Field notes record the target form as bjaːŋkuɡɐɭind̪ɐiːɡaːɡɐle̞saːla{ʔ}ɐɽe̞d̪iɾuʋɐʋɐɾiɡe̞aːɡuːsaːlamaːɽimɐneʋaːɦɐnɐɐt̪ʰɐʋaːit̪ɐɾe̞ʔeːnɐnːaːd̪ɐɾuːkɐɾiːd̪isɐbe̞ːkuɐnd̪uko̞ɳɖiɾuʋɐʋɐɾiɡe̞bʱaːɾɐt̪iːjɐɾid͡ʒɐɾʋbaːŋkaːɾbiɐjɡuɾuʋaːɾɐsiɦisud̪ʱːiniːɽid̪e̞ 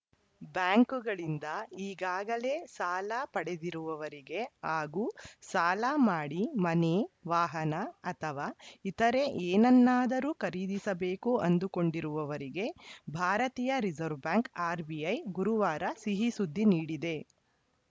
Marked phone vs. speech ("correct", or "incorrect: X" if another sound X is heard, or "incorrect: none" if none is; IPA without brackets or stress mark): incorrect: p